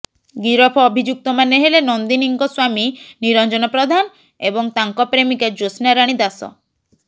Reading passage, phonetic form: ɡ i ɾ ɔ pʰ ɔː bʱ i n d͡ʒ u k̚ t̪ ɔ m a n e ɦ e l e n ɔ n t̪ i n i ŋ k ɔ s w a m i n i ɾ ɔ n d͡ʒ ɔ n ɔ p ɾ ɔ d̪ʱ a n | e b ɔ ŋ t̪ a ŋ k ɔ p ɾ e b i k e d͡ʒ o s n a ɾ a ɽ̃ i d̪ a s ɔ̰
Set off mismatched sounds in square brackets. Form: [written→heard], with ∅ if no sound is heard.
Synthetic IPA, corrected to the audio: ɡ i ɾ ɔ pʰ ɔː bʱ i [n→∅] d͡ʒ u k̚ t̪ ɔ m a n e ɦ e l e n ɔ n [t̪→d̪] i n i ŋ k ɔ s w a m i n i ɾ ɔ n d͡ʒ ɔ n ɔ p ɾ ɔ d̪ʱ a n | e b ɔ ŋ t̪ a ŋ k ɔ p ɾ e [b→m] i k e d͡ʒ o s n a ɾ a ɽ̃ i d̪ a s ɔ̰